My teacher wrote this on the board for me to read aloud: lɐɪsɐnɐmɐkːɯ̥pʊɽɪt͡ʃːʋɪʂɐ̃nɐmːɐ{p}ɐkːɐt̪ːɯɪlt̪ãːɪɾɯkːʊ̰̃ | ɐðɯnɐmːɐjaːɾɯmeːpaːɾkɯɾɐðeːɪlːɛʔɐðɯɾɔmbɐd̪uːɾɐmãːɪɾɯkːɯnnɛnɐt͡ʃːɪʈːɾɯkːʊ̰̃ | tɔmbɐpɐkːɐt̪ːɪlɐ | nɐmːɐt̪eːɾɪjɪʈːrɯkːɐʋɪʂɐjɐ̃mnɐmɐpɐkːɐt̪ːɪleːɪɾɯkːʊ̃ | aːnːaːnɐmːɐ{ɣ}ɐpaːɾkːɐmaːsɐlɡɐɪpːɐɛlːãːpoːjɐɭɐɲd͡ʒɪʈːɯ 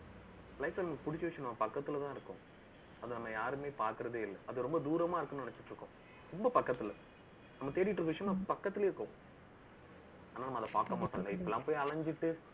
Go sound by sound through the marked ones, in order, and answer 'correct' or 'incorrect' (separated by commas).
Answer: correct, incorrect